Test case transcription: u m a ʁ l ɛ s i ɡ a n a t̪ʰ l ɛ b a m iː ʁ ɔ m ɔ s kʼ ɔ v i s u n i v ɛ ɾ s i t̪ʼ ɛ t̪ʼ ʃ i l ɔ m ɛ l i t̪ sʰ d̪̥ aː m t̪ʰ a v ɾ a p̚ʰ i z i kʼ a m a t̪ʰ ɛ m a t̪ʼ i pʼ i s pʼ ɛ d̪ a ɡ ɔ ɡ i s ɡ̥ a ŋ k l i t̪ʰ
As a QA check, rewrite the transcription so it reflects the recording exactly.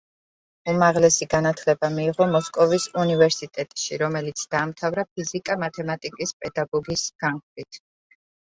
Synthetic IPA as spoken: u m a ʁ l ɛ s i ɡ a n a t̪ʰ l ɛ b a m iː ʁ ɔ m ɔ s kʼ ɔ v i s u n i v ɛ ɾ s i t̪ʼ ɛ t̪ʼ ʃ i ɾ ɔ m ɛ l i t̪ sʰ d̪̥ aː m t̪ʰ a v ɾ a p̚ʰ i z i kʼ a m a t̪ʰ ɛ m a t̪ʼ i kʼ i s pʼ ɛ d̪ a ɡ ɔ ɡ i s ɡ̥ a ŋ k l i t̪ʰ

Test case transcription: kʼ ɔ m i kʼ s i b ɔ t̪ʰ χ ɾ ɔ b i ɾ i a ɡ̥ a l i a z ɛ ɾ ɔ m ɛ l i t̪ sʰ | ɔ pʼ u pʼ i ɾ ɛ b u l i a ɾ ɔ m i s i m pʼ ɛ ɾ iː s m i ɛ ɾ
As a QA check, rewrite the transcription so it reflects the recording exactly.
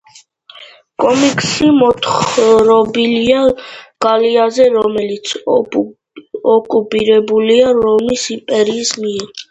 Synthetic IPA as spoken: kʼ ɔ m i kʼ s i m ɔ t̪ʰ χ ɾ ɔ b i l i a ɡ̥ a l i a z ɛ ɾ ɔ m ɛ l i t̪ sʰ | ɔ kʼ u pʼ i ɾ ɛ b u l i a ɾ ɔ m i s i m pʼ ɛ ɾ iː s m i ɛ ɾ

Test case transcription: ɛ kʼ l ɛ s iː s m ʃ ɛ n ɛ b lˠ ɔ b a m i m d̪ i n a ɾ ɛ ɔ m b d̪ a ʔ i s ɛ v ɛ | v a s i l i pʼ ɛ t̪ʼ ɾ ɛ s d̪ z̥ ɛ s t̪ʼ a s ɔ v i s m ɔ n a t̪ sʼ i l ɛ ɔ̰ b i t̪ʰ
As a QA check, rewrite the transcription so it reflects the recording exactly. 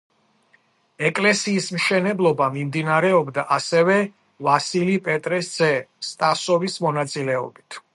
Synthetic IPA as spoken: ɛ kʼ l ɛ s iː s m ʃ ɛ n ɛ b lˠ ɔ b a m i m d̪ i n a ɾ ɛ ɔ b d̪ a ʔ a s ɛ v ɛ | v a s i l i pʼ ɛ t̪ʼ ɾ ɛ s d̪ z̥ ɛ s t̪ʼ a s ɔ v i s m ɔ n a t̪ sʼ i l ɛ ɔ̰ b i t̪ʰ

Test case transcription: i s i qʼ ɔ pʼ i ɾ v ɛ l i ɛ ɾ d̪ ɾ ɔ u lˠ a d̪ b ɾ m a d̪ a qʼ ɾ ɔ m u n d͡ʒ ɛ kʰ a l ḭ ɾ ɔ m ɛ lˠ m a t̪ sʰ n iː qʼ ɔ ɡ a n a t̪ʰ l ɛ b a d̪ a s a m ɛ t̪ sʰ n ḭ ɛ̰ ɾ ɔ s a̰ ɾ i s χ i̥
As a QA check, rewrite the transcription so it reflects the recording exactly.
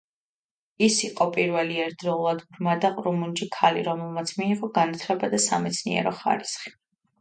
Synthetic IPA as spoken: i s i qʼ ɔ pʼ i ɾ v ɛ l i ɛ ɾ d̪ ɾ ɔ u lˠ a d̪ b ɾ m a d̪ a qʼ ɾ u m u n d͡ʒ i kʰ a l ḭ ɾ ɔ m ɛ lˠ m a t̪ sʰ m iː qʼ ɔ ɡ a n a t̪ʰ l ɛ b a d̪ a s a m ɛ t̪ sʰ n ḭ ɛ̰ ɾ ɔ χ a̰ ɾ i s χ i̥

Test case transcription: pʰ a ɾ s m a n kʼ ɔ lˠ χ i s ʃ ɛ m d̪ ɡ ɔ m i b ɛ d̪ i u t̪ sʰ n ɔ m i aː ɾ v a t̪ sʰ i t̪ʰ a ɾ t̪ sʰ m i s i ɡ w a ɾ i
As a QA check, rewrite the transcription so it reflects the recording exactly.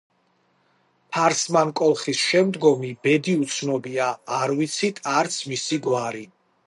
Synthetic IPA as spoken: pʰ a ɾ s m a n kʼ ɔ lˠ χ i s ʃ ɛ m d̪ ɡ ɔ m i b ɛ d̪ i u t̪ sʰ n ɔ b i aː ɾ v i t̪ sʰ i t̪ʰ a ɾ t̪ sʰ m i s i ɡ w a ɾ i

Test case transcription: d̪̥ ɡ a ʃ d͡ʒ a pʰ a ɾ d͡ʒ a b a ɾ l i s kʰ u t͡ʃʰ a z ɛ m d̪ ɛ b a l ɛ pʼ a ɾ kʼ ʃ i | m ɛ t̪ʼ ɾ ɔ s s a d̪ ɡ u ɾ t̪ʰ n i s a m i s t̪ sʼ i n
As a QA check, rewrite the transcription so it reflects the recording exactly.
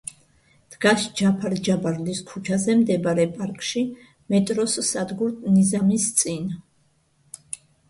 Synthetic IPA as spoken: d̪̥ ɡ a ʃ d͡ʒ a pʰ a ɾ d͡ʒ a b a ɾ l i s kʰ u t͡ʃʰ a z ɛ m d̪ ɛ b a ɾ ɛ pʼ a ɾ kʼ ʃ i | m ɛ t̪ʼ ɾ ɔ s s a d̪ ɡ u ɾ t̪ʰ n i z a m i s t̪ sʼ i n

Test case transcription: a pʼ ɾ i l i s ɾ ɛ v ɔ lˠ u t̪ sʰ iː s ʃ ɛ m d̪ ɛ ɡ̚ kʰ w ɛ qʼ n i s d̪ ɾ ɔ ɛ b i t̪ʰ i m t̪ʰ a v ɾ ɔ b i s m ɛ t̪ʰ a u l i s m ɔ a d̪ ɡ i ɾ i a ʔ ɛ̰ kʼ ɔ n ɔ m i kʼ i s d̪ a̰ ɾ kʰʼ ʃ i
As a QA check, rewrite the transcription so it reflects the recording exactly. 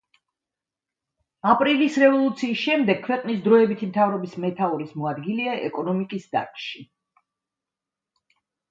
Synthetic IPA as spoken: a pʼ ɾ i l i s ɾ ɛ v ɔ lˠ u t̪ sʰ iː s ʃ ɛ m d̪ ɛ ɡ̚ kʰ w ɛ qʼ n i s d̪ ɾ ɔ ɛ b i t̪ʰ i m t̪ʰ a v ɾ ɔ b i s m ɛ t̪ʰ a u ɾ i s m ɔ a d̪ ɡ i l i a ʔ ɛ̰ kʼ ɔ n ɔ m i kʼ i s d̪ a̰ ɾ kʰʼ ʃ i

